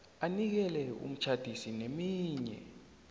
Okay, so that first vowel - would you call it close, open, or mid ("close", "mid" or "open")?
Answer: open